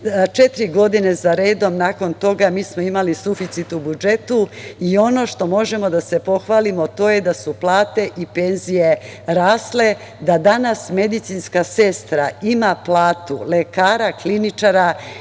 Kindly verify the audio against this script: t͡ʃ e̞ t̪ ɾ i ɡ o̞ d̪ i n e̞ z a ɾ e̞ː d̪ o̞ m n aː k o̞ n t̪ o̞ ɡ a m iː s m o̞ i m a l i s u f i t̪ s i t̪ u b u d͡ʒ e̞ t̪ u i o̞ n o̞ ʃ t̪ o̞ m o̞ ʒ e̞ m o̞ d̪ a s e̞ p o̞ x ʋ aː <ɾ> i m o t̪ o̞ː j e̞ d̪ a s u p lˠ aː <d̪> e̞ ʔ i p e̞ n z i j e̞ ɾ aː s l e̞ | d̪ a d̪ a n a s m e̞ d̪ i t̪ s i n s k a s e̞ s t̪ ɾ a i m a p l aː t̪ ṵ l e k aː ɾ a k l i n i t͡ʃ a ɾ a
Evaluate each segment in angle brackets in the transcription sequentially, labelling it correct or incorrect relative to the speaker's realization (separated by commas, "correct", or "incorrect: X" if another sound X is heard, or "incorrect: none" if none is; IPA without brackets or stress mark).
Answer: incorrect: l, incorrect: t̪